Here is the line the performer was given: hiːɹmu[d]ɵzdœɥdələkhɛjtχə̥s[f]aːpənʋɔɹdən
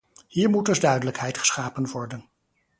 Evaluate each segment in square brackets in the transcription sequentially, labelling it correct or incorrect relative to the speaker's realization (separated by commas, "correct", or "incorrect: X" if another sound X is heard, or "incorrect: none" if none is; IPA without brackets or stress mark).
correct, incorrect: χ